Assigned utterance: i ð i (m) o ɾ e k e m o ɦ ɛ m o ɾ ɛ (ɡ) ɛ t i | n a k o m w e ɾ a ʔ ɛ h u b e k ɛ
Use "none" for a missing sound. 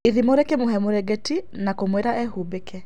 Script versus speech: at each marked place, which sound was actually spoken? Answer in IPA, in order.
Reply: m, ɡ

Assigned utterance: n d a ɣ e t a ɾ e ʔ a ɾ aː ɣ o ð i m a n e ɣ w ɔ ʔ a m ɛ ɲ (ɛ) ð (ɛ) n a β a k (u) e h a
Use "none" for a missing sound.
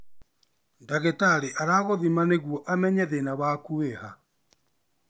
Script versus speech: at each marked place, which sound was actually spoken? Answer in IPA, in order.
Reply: ɛ, e, u

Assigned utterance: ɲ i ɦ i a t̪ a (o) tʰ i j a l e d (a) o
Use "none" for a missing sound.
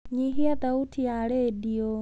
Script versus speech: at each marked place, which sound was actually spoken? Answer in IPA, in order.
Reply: u, i

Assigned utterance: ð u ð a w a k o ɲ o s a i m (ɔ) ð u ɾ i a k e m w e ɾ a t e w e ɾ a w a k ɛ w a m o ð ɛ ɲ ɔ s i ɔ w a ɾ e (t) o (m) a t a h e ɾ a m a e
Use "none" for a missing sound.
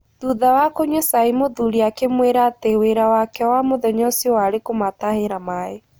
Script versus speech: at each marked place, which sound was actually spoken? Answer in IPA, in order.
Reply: o, k, m

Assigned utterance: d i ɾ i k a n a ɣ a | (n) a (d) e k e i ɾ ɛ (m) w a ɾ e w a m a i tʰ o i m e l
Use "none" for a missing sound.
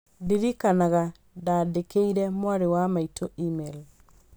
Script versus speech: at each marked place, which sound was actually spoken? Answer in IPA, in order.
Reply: d, d, m

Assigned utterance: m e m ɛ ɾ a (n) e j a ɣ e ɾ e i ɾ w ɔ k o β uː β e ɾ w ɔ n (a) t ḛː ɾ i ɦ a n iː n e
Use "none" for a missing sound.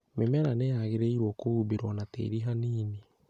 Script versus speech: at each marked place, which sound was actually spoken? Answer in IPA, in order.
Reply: n, a

